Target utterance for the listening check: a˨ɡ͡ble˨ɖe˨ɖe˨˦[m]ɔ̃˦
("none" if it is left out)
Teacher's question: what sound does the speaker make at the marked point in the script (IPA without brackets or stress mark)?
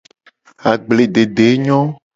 ɲ